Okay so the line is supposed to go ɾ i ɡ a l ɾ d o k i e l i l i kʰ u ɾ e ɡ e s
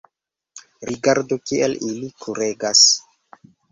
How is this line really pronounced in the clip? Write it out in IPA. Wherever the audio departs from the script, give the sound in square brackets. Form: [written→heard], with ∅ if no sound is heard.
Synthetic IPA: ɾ i ɡ a [l→∅] ɾ d o k i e l i l i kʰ u ɾ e ɡ [e→a] s